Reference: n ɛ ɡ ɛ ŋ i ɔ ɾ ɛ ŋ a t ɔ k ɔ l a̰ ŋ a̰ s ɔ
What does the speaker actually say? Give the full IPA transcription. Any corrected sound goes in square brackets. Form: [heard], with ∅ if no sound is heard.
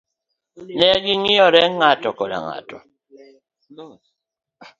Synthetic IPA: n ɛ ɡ [i] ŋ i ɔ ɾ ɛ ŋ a t ɔ k ɔ l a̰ ŋ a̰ [t] ɔ